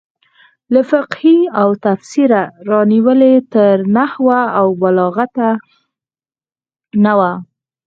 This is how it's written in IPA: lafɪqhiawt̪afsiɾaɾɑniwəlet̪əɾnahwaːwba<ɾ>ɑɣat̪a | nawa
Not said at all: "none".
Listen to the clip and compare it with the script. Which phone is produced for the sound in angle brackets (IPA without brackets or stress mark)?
l